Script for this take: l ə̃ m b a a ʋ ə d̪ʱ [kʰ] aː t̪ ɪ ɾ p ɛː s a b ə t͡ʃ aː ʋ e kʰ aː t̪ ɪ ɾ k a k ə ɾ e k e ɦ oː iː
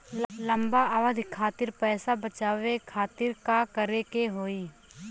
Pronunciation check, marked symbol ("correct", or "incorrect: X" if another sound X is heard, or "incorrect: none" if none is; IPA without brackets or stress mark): correct